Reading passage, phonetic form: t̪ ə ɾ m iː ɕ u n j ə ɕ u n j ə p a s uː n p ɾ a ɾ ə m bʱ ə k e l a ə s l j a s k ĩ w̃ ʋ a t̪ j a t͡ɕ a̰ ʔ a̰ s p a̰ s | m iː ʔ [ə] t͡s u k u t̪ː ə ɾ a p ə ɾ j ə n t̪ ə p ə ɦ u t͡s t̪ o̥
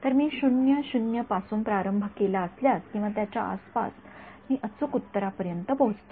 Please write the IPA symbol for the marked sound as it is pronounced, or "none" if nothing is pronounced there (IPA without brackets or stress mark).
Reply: ə